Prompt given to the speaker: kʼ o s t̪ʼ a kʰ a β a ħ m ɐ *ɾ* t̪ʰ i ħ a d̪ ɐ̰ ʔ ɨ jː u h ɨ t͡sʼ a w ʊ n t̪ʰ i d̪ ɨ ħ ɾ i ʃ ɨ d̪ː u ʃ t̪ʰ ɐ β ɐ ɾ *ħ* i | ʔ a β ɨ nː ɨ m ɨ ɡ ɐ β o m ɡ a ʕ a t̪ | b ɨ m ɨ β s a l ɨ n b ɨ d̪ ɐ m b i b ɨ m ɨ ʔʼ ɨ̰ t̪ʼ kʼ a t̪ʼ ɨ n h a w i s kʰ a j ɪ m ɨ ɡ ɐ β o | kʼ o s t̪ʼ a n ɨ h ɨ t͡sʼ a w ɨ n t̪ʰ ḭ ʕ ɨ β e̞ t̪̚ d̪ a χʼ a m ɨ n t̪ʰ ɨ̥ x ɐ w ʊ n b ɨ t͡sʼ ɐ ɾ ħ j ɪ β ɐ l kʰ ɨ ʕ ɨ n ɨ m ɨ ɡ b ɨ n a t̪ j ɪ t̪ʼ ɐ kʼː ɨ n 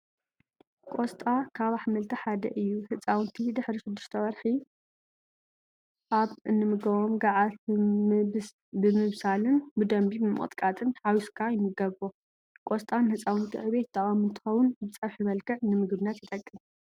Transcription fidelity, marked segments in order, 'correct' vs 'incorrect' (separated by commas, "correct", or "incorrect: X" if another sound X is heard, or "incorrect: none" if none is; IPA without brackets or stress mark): incorrect: l, correct